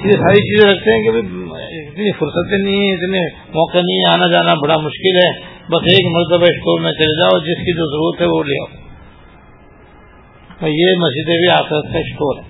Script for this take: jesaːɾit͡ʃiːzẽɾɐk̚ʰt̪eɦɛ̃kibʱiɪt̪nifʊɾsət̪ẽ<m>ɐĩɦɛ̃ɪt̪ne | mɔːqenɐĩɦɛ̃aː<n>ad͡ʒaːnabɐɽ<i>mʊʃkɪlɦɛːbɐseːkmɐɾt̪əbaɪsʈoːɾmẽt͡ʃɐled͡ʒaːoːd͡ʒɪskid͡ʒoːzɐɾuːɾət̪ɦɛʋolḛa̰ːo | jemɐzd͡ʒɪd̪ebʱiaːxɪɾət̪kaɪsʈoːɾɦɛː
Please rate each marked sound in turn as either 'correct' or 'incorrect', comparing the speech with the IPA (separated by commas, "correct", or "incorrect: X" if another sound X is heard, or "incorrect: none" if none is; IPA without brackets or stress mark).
incorrect: n, correct, incorrect: a